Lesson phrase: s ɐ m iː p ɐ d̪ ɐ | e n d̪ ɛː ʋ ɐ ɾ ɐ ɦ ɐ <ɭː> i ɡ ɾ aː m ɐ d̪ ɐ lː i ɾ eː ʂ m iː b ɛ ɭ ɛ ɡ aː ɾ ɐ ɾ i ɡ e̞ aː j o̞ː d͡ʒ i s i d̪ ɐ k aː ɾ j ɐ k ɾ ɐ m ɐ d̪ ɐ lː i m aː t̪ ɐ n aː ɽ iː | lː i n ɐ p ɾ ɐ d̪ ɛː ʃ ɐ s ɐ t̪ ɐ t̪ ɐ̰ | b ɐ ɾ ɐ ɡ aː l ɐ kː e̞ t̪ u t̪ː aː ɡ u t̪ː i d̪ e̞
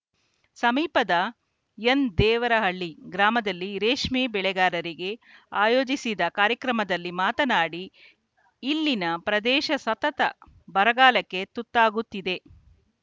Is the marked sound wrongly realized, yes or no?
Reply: no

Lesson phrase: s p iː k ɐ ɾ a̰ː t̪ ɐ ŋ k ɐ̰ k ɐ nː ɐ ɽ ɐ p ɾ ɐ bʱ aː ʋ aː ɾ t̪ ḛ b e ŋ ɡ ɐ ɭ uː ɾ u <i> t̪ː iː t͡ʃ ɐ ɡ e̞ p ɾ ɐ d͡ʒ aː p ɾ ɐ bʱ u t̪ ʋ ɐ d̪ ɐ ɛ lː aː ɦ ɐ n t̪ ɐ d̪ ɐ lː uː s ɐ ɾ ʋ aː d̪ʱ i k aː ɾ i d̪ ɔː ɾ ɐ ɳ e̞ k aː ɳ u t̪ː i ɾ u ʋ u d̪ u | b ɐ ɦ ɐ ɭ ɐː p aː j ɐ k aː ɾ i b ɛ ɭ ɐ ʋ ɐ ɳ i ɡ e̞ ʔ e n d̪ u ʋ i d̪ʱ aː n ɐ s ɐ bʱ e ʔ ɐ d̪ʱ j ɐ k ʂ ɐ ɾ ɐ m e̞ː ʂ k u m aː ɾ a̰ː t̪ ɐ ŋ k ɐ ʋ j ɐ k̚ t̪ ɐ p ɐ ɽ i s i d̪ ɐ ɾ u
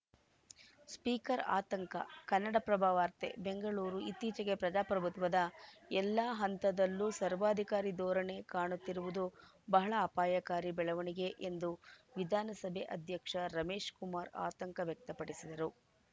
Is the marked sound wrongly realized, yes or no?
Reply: no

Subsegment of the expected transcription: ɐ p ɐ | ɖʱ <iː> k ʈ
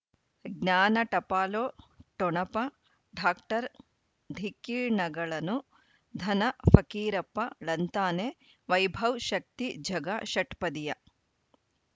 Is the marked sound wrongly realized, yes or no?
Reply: yes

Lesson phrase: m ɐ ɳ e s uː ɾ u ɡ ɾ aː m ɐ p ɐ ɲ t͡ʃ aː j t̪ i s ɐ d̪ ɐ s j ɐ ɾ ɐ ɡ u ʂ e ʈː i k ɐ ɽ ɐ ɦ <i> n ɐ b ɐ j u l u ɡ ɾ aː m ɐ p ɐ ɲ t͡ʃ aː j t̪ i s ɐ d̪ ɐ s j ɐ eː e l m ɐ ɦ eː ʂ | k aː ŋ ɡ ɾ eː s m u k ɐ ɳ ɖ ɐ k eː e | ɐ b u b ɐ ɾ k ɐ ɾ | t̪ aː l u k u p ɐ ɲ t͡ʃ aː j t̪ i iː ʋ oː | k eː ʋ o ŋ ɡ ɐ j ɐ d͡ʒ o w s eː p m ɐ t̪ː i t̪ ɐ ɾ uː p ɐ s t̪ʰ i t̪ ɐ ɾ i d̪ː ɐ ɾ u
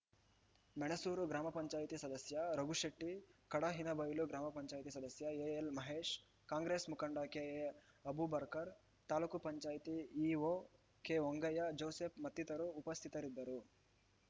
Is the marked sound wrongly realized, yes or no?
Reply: no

